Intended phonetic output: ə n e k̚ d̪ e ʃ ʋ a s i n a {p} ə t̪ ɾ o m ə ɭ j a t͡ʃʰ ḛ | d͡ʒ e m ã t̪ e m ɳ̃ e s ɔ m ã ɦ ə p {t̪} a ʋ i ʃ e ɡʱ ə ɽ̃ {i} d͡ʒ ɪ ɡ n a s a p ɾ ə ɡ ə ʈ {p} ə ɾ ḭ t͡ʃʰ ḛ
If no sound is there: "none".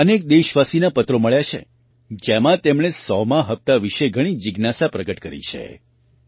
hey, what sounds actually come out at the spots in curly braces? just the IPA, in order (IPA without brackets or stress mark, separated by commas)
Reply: p, t̪, i, k